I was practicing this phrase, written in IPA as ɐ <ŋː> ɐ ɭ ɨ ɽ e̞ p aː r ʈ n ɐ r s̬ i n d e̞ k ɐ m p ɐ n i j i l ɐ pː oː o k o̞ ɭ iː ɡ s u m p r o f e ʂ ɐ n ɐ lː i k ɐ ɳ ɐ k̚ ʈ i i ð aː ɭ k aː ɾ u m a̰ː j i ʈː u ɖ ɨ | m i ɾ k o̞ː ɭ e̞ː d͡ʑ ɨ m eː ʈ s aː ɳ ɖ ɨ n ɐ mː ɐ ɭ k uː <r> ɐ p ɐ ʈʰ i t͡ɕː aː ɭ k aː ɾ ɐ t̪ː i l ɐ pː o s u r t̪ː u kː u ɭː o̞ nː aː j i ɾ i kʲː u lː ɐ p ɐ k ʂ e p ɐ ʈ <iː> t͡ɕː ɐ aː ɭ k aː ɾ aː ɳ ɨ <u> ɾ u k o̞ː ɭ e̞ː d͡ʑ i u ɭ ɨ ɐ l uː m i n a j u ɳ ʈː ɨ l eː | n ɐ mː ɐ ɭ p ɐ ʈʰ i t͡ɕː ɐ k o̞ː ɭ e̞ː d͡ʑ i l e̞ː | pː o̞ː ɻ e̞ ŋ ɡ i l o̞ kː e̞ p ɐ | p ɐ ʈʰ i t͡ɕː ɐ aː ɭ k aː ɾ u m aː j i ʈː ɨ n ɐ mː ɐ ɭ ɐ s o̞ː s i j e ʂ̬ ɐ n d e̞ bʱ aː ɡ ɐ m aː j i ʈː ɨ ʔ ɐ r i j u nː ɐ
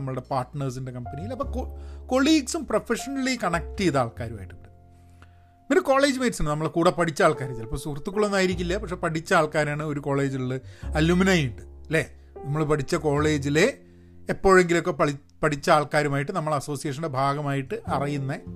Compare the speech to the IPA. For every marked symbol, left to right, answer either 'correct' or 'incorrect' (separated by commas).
incorrect, incorrect, incorrect, incorrect